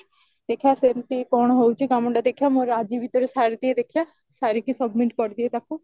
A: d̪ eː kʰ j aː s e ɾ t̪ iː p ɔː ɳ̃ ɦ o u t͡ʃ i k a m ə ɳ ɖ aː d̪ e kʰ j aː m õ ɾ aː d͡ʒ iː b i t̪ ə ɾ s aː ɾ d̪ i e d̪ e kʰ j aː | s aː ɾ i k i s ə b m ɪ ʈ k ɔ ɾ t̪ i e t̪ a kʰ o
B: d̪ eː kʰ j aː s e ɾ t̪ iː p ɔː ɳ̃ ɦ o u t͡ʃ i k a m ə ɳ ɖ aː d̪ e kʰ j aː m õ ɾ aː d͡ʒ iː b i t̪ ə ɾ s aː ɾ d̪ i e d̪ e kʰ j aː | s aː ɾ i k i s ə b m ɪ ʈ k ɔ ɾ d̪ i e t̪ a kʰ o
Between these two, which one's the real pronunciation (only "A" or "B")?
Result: B